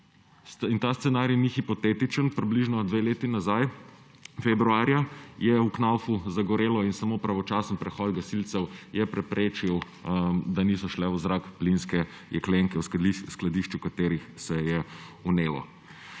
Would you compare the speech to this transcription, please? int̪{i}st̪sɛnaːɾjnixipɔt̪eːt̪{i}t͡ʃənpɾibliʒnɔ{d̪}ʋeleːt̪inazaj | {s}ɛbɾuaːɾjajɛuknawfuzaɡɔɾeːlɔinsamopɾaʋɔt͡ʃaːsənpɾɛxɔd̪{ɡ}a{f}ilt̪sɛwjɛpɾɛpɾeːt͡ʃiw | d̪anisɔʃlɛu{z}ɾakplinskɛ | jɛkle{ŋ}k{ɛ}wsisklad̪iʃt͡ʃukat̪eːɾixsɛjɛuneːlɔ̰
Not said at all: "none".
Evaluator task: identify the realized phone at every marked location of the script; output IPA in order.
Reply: a, i, d̪, f, ɡ, s, z, ŋ, ɛ

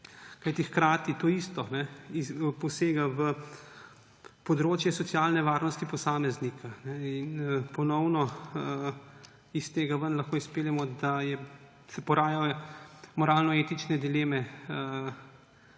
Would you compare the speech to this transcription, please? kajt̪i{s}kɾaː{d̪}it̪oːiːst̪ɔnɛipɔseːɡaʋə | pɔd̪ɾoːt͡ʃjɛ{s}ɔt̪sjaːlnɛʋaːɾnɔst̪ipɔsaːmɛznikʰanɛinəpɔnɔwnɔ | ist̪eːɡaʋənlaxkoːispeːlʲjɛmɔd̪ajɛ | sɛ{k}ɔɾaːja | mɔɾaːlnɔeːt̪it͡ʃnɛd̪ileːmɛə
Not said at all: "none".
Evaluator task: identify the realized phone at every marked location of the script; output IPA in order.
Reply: x, t̪, s, p

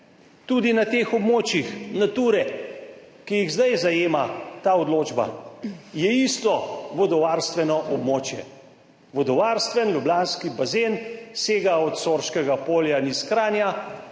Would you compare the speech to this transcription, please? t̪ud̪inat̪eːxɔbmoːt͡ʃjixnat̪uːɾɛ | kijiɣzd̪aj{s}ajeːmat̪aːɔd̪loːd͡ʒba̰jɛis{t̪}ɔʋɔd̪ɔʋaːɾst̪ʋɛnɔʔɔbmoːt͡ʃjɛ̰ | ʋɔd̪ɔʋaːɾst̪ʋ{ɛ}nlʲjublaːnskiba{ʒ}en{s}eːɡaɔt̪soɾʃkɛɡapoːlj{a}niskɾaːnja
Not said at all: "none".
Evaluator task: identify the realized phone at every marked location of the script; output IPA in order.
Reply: z, t̪, ɛ, z, s, a

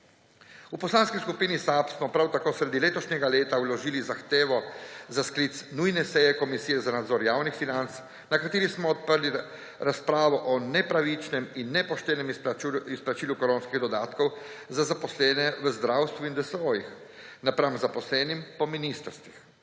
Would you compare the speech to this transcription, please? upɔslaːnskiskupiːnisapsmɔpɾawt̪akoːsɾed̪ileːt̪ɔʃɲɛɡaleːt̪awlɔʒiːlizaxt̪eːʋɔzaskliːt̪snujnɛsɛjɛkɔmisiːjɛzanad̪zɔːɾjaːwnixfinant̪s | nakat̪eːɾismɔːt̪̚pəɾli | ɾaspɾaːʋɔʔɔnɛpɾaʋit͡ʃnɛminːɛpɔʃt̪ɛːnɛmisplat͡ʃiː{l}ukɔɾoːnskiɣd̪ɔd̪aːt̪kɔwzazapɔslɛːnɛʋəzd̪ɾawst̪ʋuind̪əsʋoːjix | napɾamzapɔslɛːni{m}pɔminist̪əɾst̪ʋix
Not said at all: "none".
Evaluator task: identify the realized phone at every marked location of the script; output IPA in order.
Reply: l, m

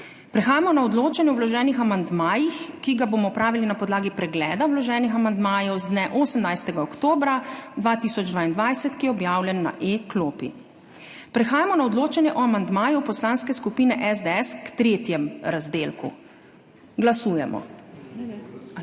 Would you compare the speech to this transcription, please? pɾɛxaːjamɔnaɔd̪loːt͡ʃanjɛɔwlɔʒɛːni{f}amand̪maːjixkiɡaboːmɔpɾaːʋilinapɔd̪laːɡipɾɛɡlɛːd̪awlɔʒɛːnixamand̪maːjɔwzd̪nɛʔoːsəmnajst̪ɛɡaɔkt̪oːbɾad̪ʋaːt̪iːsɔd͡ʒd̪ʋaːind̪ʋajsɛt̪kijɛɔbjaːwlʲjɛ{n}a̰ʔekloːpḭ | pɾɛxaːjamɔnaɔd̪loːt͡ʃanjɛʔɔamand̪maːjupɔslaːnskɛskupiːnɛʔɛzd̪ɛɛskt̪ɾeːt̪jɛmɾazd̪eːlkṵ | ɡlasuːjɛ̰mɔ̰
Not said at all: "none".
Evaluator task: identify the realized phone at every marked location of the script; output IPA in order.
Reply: x, nː

